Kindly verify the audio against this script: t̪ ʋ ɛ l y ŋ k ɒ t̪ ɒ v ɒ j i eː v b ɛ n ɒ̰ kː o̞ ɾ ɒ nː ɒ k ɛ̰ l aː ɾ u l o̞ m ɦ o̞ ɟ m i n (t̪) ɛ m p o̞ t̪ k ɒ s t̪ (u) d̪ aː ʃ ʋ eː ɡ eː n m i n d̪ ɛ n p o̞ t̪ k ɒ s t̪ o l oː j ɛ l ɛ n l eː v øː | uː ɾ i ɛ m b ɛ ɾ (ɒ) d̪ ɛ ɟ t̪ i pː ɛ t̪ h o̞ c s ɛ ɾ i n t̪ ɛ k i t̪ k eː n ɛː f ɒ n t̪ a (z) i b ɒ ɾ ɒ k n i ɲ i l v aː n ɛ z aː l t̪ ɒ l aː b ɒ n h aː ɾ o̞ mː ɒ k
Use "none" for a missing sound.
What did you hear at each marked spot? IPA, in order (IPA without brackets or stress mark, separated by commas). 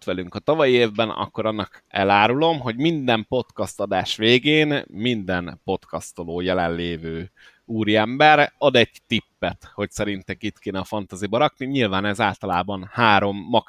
d̪, ɒ, ɒ, z